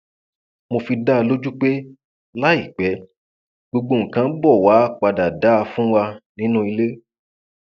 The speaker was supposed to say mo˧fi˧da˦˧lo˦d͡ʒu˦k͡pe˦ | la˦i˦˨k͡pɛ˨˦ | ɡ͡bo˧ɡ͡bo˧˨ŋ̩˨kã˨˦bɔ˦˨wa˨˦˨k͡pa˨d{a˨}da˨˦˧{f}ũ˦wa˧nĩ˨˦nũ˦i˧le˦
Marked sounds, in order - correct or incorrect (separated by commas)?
correct, correct